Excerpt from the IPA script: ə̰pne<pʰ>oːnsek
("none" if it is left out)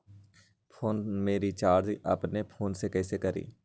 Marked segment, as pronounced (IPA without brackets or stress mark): pʰ